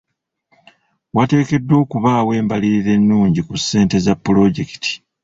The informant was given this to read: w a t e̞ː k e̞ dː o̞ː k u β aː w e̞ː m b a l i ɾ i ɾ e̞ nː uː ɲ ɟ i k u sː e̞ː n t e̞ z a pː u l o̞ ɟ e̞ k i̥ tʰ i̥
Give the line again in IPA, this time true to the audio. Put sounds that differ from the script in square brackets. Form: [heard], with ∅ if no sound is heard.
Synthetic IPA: w a t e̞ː k e̞ dː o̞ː k u β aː w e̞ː m b a l i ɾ i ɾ e̞ nː uː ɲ ɟ i k u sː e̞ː n t e̞ z a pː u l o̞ ɟ e̞ k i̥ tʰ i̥